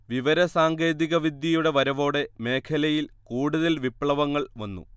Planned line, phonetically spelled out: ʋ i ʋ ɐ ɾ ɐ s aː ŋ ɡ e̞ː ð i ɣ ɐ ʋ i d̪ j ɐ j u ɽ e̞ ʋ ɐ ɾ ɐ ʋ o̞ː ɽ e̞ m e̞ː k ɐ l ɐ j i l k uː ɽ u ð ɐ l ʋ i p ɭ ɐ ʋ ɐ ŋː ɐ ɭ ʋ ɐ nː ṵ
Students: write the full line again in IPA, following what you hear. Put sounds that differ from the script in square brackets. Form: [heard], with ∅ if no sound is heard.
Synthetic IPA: ʋ i ʋ ɐ ɾ ɐ s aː ŋ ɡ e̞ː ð i ɣ ɐ ʋ i d̪ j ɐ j u ɽ e̞ ʋ ɐ ɾ ɐ ʋ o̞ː ɽ e̞ m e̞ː [kʰ] ɐ l ɐ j i l k uː ɽ u ð ɐ l ʋ i p ɭ ɐ ʋ ɐ ŋː ɐ ɭ ʋ ɐ nː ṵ